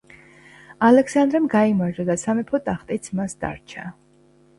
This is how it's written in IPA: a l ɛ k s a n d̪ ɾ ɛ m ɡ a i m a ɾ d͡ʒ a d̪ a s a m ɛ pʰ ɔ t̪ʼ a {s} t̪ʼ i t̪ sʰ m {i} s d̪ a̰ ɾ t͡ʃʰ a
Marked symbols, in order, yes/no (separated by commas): no, no